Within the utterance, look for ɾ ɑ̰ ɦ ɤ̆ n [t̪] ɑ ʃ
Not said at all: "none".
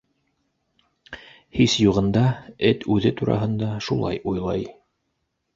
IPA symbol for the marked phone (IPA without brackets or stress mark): d̪